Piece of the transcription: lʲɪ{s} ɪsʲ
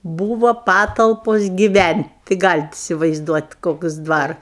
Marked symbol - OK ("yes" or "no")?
no